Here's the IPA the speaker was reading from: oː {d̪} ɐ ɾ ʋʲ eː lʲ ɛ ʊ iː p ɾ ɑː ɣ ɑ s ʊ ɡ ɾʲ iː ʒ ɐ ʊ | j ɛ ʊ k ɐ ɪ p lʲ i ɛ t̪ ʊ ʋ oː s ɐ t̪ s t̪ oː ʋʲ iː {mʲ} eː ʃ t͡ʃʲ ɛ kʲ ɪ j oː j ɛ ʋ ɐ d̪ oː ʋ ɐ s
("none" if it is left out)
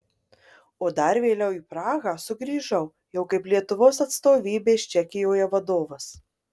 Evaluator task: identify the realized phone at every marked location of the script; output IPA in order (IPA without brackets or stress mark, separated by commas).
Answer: d̪, bʲ